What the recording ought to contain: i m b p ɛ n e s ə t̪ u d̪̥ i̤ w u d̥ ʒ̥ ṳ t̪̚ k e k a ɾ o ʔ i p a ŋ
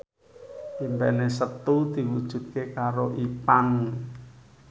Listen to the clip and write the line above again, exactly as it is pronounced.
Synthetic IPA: i m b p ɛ n e s ə t̪ u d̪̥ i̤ w u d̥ ʒ̥ ṳ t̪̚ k e k a ɾ o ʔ i p a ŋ